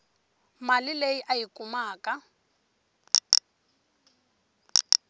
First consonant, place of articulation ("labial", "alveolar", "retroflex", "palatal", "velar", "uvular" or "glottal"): labial